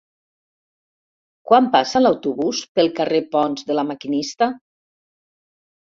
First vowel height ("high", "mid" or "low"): low